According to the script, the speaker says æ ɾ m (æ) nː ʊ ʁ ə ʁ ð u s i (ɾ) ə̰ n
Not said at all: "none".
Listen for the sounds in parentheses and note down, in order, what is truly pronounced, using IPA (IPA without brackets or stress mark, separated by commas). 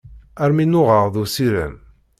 i, ɾ